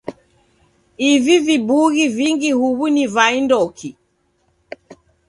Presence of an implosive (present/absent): absent